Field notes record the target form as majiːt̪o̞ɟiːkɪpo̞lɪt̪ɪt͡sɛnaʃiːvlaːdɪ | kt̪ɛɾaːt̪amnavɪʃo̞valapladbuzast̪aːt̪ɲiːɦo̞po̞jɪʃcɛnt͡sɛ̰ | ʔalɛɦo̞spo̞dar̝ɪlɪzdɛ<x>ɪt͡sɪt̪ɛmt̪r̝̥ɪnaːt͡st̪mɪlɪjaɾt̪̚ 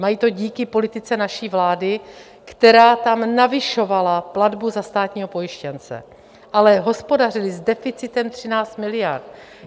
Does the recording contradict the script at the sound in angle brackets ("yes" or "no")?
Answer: yes